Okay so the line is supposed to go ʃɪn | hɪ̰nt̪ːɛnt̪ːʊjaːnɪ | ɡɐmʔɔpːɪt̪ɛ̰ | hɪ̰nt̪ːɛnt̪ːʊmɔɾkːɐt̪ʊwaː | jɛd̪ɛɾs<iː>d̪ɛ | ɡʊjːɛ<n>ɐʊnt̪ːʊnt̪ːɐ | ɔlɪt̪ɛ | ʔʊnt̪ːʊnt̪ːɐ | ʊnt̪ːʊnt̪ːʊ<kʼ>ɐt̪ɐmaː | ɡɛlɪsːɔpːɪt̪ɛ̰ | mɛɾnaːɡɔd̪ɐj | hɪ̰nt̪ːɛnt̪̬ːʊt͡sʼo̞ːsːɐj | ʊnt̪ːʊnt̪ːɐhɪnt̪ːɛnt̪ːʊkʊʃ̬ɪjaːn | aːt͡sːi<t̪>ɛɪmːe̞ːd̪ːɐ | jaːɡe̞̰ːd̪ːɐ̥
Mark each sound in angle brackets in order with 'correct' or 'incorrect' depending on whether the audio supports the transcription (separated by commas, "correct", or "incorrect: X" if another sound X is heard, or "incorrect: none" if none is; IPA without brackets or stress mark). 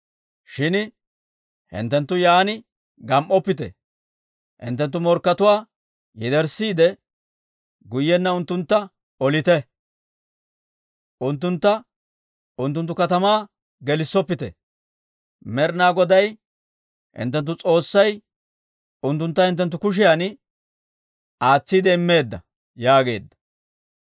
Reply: correct, incorrect: nː, incorrect: k, incorrect: d̪